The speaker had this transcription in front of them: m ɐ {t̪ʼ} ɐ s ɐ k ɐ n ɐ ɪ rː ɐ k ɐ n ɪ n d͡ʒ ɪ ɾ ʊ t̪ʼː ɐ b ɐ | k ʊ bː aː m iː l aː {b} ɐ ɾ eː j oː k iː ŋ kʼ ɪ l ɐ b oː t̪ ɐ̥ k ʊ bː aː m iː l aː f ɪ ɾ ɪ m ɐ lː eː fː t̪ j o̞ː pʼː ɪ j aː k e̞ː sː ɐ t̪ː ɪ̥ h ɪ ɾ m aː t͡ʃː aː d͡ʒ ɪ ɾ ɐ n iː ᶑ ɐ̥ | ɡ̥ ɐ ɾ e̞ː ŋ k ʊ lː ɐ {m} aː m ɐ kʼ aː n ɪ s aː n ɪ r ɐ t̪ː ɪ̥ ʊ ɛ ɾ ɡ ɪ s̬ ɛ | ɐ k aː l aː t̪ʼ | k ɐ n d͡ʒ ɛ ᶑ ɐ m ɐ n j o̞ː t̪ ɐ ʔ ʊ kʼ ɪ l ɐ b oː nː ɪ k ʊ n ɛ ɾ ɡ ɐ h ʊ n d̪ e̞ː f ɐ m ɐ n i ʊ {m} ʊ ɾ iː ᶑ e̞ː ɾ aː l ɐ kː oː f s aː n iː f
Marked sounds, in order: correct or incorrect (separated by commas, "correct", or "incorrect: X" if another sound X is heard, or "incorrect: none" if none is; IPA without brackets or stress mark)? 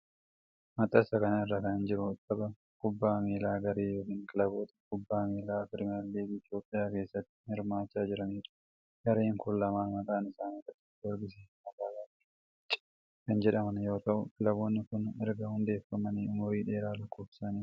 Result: correct, incorrect: ɡ, correct, correct